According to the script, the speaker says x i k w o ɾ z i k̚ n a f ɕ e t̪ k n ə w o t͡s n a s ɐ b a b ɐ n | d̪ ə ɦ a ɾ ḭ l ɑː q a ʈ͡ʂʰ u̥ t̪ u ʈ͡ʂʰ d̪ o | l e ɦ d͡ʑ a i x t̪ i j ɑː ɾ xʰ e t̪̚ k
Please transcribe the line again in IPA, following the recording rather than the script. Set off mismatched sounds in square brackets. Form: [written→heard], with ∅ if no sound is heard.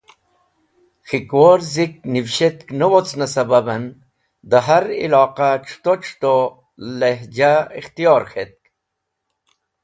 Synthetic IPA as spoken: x i k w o ɾ z i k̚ n [a→i] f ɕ e t̪ k n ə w o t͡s n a s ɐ b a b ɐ n | d̪ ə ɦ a ɾ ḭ l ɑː q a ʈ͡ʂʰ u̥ t̪ [u→o] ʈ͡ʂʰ [d̪→t̪] o | l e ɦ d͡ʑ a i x t̪ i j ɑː ɾ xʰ e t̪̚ k